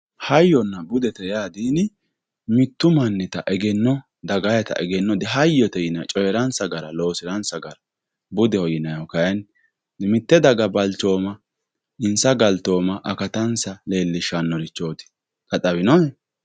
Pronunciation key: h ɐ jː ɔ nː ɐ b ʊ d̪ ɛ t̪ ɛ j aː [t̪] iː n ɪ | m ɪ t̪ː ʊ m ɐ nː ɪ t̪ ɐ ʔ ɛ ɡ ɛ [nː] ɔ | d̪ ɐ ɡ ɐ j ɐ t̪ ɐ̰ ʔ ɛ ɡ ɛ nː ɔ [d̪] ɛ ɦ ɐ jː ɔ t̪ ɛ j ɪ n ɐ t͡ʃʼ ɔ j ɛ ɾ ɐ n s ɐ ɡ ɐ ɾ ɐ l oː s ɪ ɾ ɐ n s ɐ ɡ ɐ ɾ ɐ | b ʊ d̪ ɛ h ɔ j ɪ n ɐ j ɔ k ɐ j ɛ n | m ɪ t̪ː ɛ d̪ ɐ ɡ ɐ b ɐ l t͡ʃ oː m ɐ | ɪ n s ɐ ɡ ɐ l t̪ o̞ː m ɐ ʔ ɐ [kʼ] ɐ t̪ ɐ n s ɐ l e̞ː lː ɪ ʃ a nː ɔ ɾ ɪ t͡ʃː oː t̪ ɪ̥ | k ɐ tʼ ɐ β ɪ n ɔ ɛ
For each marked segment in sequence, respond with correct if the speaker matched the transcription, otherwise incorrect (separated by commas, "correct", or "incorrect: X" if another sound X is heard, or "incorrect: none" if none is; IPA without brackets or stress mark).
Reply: incorrect: d̪, correct, correct, incorrect: k